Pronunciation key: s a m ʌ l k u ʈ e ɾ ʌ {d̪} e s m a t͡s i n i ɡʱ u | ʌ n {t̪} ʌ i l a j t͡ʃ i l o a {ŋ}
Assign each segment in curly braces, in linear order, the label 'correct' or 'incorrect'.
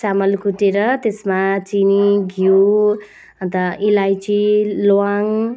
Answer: incorrect, correct, correct

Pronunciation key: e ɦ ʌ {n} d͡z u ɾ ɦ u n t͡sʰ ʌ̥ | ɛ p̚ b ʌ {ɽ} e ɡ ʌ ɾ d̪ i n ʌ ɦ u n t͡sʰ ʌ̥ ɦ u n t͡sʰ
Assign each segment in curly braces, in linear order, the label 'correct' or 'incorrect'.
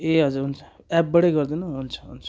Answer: incorrect, correct

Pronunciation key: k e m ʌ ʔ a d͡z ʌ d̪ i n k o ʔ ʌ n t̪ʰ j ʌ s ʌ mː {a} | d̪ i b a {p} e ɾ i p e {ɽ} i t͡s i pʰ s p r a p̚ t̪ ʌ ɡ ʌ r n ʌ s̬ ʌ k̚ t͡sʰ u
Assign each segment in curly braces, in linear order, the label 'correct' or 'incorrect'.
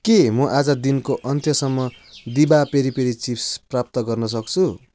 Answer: incorrect, correct, incorrect

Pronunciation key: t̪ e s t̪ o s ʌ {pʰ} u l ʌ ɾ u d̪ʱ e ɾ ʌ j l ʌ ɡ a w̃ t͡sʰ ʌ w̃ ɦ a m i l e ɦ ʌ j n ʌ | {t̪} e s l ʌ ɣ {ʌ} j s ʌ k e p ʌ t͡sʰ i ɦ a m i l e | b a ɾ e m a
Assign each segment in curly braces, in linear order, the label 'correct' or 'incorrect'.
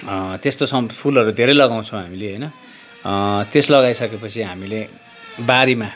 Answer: correct, correct, incorrect

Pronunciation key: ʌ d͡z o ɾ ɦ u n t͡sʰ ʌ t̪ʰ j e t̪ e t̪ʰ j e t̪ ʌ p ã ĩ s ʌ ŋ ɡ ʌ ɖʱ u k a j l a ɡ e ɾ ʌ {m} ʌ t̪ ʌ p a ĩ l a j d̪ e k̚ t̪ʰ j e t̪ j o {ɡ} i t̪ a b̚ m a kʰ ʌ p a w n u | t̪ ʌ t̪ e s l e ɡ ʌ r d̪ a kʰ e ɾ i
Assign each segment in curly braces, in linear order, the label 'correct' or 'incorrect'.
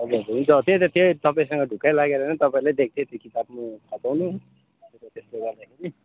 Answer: incorrect, incorrect

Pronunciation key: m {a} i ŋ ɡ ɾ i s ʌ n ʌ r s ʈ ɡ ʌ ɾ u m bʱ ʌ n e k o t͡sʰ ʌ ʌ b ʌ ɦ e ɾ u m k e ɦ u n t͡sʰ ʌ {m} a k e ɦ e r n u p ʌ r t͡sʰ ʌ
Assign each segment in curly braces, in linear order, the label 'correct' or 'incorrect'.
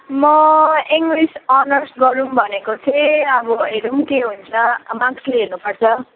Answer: incorrect, correct

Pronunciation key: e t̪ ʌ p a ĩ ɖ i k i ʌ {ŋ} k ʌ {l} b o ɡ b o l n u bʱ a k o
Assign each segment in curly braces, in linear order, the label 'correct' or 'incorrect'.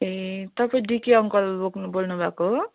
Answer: correct, correct

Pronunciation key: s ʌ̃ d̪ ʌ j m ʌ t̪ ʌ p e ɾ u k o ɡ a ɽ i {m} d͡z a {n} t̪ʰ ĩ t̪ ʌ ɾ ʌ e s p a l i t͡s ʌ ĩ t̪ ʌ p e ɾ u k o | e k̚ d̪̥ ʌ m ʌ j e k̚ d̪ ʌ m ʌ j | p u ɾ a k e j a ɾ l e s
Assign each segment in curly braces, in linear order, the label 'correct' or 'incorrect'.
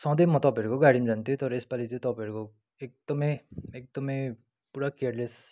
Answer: correct, correct

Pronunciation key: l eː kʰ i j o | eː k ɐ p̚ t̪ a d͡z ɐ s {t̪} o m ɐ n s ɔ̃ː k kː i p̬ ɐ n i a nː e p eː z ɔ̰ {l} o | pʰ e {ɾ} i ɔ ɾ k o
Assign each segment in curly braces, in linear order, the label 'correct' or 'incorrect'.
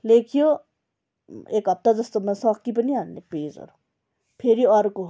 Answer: correct, incorrect, correct

